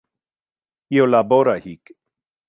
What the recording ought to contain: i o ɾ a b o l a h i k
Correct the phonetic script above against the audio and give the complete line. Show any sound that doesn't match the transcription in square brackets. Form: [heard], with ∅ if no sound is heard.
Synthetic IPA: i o [l] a b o [ɾ] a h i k